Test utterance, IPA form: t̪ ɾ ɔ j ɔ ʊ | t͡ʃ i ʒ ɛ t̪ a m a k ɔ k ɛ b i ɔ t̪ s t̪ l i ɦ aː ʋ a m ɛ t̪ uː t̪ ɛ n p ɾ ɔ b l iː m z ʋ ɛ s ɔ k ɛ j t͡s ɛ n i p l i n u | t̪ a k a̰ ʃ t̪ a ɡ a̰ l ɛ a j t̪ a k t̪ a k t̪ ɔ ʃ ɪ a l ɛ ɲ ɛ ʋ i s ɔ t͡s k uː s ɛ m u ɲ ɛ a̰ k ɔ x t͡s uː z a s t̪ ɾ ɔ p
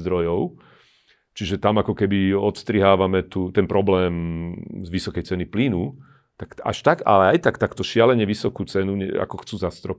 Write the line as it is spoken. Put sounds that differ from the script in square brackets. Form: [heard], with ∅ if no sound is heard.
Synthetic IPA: [d̪] ɾ ɔ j ɔ ʊ | t͡ʃ i ʒ ɛ t̪ a m a k ɔ k ɛ b i ɔ t̪ s t̪ [ɾ] i ɦ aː ʋ a m ɛ t̪ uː t̪ ɛ n p ɾ ɔ b l [ɛː] m z ʋ [i] s ɔ k ɛ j t͡s ɛ n i p l i n u | t̪ a k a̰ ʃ t̪ a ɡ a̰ l ɛ a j t̪ a k t̪ a k t̪ ɔ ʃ ɪ a l ɛ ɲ ɛ ʋ i s ɔ [∅] k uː [t͡s] ɛ [n] u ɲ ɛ a̰ k ɔ x t͡s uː z a s t̪ ɾ ɔ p